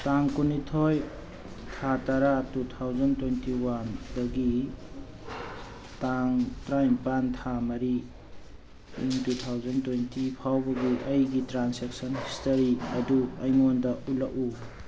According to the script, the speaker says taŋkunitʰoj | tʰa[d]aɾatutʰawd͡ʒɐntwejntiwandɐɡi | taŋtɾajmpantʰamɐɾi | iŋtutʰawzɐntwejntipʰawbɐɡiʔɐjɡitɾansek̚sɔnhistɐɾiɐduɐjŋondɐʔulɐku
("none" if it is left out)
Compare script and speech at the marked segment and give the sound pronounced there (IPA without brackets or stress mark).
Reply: t